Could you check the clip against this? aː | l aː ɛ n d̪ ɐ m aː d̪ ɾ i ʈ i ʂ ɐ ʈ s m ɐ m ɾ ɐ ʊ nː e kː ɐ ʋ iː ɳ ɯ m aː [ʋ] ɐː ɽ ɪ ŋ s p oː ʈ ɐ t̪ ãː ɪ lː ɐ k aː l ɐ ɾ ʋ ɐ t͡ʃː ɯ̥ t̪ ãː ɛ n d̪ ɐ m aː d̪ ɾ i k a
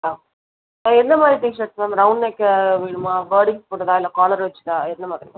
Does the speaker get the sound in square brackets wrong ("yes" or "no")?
no